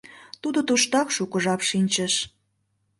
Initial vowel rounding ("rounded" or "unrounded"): rounded